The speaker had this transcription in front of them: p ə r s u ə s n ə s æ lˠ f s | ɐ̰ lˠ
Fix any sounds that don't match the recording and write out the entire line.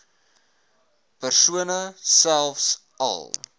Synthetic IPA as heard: p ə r s u ə n ə s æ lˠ f s | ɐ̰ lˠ